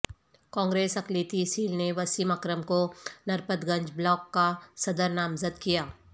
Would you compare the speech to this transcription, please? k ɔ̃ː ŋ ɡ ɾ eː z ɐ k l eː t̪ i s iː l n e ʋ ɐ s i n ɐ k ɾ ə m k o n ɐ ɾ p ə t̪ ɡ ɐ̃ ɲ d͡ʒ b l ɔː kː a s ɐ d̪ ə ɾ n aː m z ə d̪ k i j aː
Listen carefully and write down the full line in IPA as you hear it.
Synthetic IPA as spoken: k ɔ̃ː ŋ ɡ ɾ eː s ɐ k l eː t̪ i s iː l n e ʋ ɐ s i m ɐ k ɾ ə m k o n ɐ ɾ p ə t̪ ɡ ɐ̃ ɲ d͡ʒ b l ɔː kː a s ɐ d̪ ə ɾ n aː m z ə d̪ k i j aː